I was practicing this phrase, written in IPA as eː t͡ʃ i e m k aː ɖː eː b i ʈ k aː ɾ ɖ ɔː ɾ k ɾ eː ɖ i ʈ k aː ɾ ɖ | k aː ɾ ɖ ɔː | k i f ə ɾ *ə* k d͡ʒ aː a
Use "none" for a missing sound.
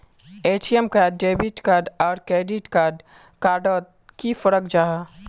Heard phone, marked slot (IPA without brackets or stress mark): ə